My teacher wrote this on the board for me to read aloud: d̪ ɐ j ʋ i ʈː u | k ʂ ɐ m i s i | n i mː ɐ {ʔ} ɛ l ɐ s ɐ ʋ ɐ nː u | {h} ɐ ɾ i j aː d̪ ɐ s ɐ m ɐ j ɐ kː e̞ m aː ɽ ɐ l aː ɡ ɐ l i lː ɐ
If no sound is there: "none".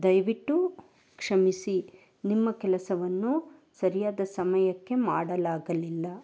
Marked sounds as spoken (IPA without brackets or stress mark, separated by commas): k, s